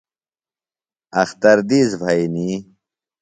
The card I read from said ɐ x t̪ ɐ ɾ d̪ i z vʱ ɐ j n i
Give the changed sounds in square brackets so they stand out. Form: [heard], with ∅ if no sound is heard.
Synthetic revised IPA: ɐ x t̪ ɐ ɾ d̪ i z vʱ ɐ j n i